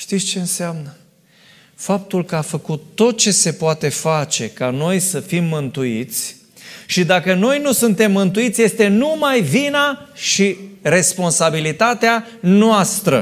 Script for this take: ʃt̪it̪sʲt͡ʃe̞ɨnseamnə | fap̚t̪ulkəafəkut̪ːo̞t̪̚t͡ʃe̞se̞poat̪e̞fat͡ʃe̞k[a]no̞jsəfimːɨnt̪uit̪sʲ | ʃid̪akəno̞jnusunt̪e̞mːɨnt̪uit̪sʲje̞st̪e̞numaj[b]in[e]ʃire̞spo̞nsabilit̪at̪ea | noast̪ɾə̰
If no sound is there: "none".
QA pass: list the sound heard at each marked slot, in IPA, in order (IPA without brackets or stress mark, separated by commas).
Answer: a, v, a